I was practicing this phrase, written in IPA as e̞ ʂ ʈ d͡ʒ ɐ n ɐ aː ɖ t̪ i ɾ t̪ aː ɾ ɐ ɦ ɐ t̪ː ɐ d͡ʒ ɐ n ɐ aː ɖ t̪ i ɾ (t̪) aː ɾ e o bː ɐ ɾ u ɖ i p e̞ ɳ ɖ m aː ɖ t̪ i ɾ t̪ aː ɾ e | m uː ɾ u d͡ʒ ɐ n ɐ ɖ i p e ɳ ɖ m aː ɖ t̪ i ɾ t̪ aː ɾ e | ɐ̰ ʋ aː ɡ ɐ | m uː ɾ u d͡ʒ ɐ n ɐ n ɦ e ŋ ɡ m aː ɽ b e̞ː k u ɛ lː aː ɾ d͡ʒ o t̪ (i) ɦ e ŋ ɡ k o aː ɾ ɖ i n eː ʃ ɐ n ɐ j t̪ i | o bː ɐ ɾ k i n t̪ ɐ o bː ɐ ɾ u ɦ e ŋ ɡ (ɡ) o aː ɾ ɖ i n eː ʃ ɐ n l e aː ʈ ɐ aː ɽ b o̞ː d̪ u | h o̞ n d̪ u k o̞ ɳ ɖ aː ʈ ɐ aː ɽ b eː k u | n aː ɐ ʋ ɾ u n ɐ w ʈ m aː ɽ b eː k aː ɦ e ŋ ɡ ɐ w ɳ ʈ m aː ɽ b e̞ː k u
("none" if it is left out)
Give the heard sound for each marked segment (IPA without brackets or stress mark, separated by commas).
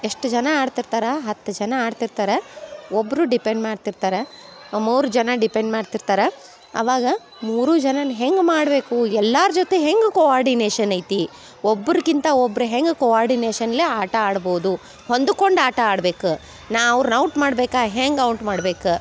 t̪, e, k